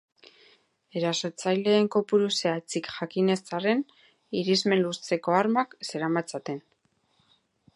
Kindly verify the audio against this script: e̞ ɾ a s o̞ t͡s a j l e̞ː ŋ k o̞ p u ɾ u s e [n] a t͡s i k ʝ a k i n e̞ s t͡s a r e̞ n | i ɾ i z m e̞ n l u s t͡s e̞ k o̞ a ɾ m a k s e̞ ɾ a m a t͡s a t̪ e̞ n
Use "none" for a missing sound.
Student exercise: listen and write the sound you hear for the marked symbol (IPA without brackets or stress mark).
none